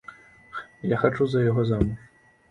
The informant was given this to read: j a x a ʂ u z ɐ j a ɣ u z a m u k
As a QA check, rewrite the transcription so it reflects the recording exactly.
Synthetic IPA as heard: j a x a t͡ʂ u z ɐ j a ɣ ɔ z a m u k